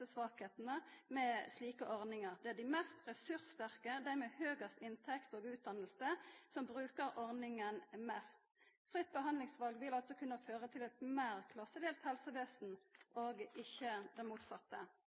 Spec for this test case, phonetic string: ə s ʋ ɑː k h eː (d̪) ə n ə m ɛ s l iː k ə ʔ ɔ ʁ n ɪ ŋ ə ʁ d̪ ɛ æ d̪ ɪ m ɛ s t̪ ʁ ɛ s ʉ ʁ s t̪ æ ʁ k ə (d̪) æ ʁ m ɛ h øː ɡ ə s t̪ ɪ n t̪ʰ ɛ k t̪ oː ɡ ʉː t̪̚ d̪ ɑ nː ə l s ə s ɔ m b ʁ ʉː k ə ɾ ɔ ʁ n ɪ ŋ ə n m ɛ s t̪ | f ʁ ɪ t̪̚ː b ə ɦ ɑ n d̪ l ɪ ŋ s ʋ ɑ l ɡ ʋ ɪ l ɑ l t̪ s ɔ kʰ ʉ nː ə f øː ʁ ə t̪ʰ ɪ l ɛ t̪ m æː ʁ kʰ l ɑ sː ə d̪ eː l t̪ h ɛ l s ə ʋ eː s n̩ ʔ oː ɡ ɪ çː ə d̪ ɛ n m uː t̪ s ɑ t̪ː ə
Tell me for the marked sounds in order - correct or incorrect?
incorrect: t̪, correct

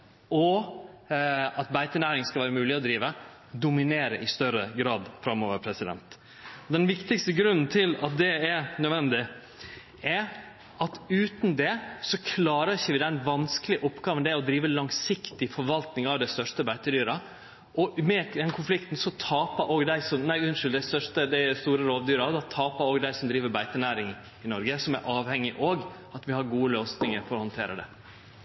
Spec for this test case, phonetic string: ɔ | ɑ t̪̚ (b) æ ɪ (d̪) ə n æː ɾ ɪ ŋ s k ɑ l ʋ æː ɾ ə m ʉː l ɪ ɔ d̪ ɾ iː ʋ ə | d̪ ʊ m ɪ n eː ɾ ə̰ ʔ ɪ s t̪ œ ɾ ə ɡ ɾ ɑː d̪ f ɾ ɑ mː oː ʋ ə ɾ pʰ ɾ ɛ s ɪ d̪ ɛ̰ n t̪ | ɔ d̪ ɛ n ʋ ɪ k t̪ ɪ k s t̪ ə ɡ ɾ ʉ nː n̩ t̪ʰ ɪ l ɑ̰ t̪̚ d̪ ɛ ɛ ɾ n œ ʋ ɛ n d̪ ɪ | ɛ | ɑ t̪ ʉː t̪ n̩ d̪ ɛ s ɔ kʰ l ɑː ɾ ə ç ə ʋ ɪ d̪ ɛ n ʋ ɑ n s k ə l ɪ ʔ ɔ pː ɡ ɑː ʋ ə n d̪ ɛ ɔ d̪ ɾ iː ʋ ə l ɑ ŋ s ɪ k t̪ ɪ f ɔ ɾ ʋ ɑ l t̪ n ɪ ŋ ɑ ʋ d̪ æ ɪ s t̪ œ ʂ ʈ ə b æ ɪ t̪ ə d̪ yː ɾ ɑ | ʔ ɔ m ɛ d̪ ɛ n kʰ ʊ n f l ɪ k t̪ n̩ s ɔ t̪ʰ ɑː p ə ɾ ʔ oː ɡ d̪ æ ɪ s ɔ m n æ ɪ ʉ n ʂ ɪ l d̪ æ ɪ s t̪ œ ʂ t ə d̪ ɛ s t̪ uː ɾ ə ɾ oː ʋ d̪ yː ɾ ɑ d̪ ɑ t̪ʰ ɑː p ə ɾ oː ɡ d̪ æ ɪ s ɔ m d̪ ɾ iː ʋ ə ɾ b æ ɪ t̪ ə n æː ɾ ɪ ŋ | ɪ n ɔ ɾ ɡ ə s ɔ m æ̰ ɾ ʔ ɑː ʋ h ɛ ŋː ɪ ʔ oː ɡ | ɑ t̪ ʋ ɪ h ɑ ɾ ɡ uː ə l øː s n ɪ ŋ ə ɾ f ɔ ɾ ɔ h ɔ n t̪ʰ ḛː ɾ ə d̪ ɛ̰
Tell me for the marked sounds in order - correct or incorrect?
correct, incorrect: t̪

